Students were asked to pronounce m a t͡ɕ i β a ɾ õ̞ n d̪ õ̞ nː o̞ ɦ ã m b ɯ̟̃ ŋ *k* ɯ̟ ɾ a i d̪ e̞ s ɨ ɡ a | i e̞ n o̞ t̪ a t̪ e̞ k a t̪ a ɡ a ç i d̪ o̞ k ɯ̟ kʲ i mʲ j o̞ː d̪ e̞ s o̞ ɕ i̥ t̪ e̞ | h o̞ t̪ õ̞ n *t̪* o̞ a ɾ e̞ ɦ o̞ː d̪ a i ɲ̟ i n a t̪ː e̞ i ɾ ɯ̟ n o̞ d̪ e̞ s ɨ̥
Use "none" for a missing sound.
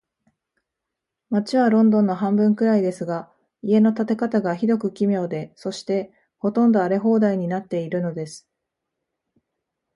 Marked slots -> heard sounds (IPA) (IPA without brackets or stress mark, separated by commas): k, d̪